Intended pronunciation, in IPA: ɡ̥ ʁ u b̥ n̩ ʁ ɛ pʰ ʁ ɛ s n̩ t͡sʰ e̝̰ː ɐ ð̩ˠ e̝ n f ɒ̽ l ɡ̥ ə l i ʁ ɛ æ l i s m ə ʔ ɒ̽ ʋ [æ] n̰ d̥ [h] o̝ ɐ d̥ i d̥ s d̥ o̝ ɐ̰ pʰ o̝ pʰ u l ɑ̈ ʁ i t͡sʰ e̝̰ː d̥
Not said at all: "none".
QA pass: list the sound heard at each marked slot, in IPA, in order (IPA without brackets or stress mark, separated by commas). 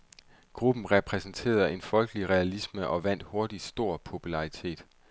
æ, h